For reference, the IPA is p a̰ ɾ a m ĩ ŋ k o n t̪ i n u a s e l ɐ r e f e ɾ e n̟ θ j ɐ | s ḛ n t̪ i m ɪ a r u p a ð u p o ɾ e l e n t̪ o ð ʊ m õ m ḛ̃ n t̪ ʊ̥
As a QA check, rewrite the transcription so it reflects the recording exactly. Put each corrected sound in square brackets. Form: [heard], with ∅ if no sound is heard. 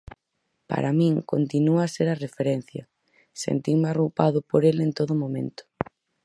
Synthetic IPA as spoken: p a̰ ɾ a m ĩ ŋ k o n t̪ i n u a s e [ɾ] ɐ r e f e ɾ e n̟ θ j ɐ | s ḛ n t̪ i m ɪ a r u p a ð [ʊ] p o ɾ e l e n t̪ o ð ʊ m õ m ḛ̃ n t̪ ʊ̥

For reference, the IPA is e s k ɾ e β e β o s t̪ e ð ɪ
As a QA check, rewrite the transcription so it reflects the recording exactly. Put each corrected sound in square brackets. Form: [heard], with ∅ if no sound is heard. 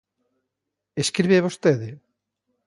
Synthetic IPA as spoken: e s k ɾ [i] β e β o s t̪ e ð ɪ

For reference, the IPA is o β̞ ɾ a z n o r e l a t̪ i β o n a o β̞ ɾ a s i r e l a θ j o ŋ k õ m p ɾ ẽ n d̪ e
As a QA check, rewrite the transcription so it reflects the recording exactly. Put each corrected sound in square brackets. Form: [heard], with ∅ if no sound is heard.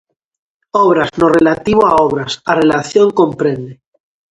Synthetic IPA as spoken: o β̞ ɾ a z n o r e l a t̪ i β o [∅] a o β̞ ɾ a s [a] r e l a θ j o ŋ k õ m p ɾ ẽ n d̪ e

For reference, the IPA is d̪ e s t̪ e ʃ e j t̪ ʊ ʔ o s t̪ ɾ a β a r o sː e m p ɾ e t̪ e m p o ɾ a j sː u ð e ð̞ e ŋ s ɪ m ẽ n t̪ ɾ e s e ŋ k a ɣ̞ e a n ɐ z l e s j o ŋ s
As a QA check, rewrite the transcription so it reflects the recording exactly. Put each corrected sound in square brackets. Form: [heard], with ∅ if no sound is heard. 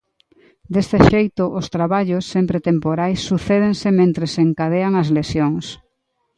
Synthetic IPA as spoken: d̪ e s t̪ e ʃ e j t̪ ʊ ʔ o s t̪ ɾ a β a [ʎ] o sː e m p ɾ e t̪ e m p o ɾ a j sː u [θ] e ð̞ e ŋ s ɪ m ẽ n t̪ ɾ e s e ŋ k a [ð̞] e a [ŋ] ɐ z l e s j o ŋ s

